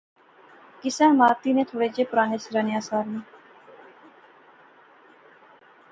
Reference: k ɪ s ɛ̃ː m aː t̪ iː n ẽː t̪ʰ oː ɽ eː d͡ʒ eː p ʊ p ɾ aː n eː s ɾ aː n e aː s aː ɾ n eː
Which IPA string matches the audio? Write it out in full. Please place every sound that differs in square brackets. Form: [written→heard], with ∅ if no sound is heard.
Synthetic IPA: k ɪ s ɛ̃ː m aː t̪ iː n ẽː t̪ʰ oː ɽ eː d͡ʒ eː p ʊ [p→∅] ɾ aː n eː s ɾ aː n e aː s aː ɾ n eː